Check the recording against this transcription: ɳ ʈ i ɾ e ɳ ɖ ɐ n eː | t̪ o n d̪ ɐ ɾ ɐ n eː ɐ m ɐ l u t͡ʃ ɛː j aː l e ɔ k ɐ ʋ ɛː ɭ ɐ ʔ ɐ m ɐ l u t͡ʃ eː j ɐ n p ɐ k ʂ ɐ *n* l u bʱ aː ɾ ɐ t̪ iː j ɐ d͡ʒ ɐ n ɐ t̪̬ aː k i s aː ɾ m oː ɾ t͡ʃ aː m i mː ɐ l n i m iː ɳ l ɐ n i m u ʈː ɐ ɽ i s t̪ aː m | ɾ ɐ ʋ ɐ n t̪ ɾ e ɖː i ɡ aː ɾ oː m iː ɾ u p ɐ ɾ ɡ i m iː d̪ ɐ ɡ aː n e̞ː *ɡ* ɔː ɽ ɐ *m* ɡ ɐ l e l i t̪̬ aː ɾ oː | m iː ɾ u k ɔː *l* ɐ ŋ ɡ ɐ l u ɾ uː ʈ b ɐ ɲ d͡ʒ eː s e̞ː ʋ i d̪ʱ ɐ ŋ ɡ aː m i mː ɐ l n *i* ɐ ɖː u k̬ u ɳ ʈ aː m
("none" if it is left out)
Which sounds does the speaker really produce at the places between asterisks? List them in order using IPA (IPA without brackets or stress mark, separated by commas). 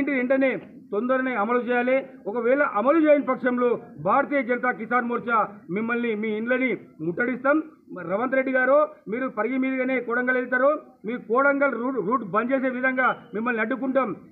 m, k, ŋ, ɽ, i